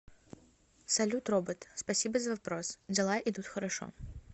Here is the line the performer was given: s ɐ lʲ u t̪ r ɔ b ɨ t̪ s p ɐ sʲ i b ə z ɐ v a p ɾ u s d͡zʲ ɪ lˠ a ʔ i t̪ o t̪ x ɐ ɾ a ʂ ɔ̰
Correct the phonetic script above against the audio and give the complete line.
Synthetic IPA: s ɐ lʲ u t̪ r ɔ b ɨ t̪ s p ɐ sʲ i b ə z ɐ v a p ɾ ɔ s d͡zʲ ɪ lˠ a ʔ i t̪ u t̪ x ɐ ɾ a ʂ ɔ̰